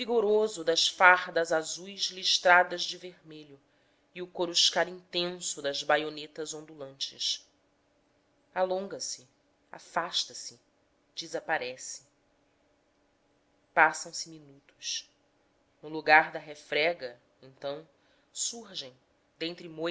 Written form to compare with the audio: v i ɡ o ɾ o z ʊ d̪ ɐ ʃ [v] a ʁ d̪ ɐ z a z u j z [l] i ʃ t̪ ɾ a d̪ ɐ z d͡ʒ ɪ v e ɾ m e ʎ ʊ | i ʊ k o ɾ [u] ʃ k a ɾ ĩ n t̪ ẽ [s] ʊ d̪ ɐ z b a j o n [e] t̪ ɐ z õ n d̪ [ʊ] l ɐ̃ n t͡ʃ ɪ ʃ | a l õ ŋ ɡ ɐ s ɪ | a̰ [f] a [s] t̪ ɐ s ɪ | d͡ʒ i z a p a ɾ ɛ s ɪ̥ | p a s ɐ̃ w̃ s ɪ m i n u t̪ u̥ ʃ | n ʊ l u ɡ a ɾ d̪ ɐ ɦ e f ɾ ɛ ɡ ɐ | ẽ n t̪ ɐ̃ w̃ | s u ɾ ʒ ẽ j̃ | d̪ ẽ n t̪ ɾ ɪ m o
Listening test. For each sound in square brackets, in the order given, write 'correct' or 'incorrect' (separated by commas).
incorrect, correct, correct, correct, correct, incorrect, correct, incorrect